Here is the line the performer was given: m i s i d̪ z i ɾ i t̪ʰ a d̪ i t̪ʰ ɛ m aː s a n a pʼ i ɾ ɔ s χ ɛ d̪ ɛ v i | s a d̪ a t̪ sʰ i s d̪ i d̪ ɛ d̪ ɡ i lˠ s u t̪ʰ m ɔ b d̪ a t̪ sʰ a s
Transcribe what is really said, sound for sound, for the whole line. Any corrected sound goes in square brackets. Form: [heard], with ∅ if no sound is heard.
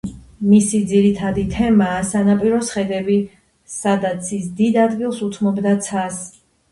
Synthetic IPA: m i s i d̪ z i ɾ i t̪ʰ a d̪ i t̪ʰ ɛ m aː s a n a pʼ i ɾ ɔ s χ ɛ d̪ ɛ [b] i | s a d̪ a t̪ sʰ i s d̪ i d̪ [a] d̪ ɡ i lˠ s u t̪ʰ m ɔ b d̪ a t̪ sʰ a s